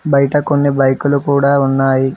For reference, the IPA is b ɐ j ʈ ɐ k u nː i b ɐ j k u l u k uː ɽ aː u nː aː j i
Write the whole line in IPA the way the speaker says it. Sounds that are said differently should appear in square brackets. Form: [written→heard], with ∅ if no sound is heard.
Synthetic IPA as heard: b ɐ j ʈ ɐ k [u→o] nː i b ɐ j k u l u k uː ɽ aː u nː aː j i